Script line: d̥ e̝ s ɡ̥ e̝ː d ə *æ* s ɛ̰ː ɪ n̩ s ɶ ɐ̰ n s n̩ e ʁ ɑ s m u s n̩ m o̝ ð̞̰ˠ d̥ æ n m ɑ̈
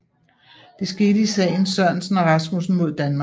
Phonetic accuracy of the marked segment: incorrect: i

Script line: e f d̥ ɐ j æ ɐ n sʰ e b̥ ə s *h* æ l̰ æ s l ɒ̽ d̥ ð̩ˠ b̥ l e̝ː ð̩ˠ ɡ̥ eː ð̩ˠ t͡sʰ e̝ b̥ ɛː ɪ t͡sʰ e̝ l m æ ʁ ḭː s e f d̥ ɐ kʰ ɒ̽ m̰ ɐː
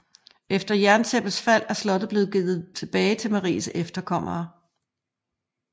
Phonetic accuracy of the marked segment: incorrect: f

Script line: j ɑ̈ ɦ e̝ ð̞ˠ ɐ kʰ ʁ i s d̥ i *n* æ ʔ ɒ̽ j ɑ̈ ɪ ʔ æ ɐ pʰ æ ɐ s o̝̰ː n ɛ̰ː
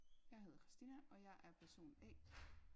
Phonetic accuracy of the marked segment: correct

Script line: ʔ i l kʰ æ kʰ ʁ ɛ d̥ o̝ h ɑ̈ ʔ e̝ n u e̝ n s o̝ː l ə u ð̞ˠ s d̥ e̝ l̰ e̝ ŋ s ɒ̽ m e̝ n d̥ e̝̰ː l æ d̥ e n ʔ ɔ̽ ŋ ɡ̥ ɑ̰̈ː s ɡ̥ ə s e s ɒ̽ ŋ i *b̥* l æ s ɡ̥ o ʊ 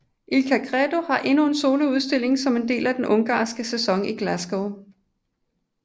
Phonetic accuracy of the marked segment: incorrect: ɡ̥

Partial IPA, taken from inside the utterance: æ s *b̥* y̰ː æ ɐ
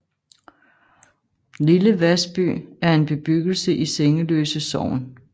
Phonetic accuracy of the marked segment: correct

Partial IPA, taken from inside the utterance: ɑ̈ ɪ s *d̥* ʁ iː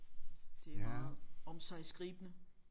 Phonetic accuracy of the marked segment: incorrect: ɡ̥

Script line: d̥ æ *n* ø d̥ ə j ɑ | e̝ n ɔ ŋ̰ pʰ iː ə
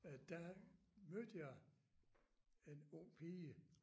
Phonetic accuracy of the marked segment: incorrect: m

